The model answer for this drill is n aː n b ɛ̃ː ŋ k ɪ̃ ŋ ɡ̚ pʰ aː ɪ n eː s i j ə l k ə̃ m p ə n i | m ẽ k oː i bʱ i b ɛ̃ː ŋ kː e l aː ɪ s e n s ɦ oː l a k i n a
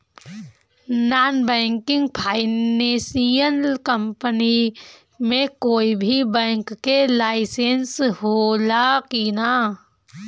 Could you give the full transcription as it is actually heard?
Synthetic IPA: n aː n b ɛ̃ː ŋ k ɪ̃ ŋ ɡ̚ pʰ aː ɪ n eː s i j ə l k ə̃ m p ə n i | m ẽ k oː i bʱ i b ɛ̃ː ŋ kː e l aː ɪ s e n s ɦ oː l a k i n a